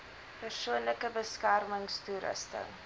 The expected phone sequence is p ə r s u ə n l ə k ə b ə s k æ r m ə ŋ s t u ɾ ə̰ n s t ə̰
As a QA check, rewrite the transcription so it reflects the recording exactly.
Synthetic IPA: p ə r s u ə n l ə k ə b ə s k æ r m ə ŋ s t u ɾ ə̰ s t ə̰